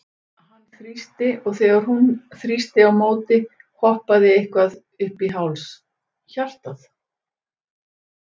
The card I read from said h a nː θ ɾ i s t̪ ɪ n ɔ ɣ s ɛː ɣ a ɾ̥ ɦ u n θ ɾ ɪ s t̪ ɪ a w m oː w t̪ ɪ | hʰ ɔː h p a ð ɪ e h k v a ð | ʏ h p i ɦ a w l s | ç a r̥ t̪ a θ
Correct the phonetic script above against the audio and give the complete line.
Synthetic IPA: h a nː θ ɾ i s t̪ ɪ ɔ ɣ θ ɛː ɣ a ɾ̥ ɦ u n θ ɾ i s t̪ ɪ a w m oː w t̪ ɪ | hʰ ɔ h p a ð ɪ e h k v a ð | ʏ h p i ɦ a w l s | ç a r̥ t̪ a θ